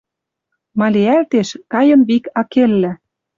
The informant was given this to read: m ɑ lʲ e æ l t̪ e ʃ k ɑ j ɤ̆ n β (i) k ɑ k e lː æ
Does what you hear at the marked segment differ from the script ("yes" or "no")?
no